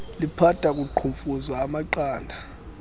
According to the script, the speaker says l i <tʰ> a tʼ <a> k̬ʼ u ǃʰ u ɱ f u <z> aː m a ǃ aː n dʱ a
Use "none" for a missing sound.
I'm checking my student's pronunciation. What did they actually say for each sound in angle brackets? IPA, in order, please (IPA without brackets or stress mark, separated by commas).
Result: pʰ, a, z